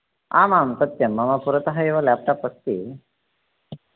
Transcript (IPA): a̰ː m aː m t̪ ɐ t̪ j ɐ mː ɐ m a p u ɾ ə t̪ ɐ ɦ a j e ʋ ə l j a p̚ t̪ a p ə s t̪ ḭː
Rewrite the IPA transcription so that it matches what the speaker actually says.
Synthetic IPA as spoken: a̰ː m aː m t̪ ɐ t̪ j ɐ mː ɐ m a p u ɾ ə t̪ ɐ ɦ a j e ʋ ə l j a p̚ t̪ a p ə s t̪ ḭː